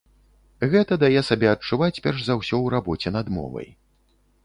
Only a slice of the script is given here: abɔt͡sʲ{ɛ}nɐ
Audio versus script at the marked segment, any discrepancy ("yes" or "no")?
no